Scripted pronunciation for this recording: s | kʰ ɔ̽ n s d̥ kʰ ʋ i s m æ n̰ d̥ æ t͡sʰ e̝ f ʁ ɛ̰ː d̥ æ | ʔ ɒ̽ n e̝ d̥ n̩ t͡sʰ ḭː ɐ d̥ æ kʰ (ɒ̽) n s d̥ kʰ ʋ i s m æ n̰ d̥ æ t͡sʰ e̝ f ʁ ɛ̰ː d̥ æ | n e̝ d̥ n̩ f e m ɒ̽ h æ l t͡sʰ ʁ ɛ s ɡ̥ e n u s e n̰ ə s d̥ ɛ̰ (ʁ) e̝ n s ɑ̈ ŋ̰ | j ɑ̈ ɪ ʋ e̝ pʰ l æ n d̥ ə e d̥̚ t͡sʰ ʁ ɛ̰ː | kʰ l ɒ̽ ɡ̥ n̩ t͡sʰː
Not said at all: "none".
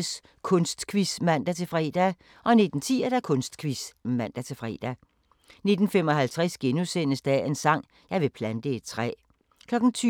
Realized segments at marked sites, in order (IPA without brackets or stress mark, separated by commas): ɔ̽, none